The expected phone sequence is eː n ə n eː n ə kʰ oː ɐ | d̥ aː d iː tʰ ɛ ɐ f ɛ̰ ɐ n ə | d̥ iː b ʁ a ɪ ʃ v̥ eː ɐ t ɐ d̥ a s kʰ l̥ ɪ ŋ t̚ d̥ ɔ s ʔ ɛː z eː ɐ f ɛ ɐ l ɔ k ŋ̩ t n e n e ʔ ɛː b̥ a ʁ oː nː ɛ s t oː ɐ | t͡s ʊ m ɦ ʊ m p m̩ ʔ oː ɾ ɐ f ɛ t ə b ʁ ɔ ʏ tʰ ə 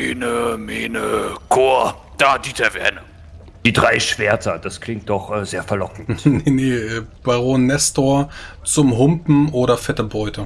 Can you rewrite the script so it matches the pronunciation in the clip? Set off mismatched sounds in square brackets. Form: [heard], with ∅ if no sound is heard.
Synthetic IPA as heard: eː n ə [m] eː n ə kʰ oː ɐ | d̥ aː d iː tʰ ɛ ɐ [v] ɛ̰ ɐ n ə | d̥ iː [d] ʁ a ɪ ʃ v̥ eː ɐ t ɐ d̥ a s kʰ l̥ ɪ ŋ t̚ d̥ ɔ [χ] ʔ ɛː z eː ɐ f ɛ ɐ l ɔ k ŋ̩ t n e n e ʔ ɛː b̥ a ʁ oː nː ɛ s t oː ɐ | t͡s ʊ m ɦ ʊ m p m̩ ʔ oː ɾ ɐ f ɛ t ə b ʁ ɔ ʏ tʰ ə